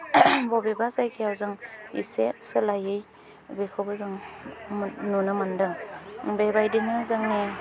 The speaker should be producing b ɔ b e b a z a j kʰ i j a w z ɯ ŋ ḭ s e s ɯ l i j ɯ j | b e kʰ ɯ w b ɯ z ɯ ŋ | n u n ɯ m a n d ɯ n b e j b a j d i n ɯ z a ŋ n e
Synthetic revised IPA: b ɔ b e b a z a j kʰ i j a w z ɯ ŋ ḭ s e s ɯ l a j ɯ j | b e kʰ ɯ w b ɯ z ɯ ŋ | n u n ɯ m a n d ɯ ŋ b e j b a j d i n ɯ z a ŋ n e